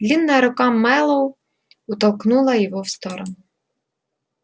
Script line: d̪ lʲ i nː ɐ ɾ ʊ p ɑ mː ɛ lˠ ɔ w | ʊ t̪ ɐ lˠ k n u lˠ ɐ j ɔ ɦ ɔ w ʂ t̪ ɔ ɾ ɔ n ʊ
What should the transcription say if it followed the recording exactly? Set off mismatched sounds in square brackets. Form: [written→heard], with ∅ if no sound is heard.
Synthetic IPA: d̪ lʲ i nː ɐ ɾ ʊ [p→k] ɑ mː ɛ lˠ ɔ w | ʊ t̪ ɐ lˠ k n u lˠ ɐ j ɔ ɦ ɔ w [ʂ→s] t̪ ɔ ɾ ɔ n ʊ